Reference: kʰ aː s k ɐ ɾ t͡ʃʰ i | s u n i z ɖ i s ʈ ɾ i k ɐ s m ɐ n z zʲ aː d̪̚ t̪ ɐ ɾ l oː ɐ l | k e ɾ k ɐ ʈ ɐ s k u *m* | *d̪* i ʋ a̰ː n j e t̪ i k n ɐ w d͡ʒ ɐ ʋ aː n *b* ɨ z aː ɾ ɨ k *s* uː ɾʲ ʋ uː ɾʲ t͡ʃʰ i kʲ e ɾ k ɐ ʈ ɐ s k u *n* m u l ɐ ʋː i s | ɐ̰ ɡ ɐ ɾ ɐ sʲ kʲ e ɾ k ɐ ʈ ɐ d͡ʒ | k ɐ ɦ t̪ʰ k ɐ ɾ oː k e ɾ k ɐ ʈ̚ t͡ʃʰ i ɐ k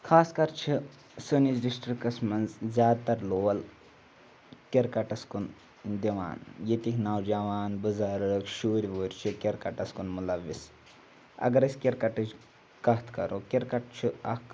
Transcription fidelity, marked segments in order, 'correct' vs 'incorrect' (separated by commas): incorrect, correct, correct, incorrect, correct